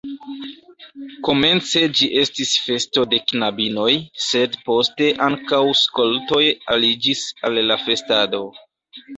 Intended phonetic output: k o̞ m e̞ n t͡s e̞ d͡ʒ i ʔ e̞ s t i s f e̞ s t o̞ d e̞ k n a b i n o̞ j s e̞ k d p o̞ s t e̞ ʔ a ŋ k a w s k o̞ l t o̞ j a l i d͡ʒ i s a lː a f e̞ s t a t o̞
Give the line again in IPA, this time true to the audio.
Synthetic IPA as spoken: k o̞ m e̞ n t͡s e̞ d͡ʒ i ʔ e̞ s t i s f e̞ s t o̞ d e̞ k n a b i n o̞ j s e̞ d p o̞ s t e̞ ʔ a ŋ k a w s k o̞ l t o̞ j a l i d͡ʒ i s a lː a f e̞ s t a d o̞